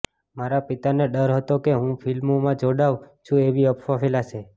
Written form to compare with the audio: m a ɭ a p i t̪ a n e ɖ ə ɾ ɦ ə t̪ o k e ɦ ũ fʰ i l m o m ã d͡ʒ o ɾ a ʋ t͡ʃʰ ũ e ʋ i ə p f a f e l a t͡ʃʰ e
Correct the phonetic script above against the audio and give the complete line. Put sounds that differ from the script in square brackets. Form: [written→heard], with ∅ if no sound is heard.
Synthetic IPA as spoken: m a [ɭ→ɾ] a p i t̪ a n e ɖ ə ɾ ɦ ə t̪ o k e ɦ ũ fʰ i l m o m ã d͡ʒ o [ɾ→ɽ] a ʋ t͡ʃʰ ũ e ʋ i ə p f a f e l a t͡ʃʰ e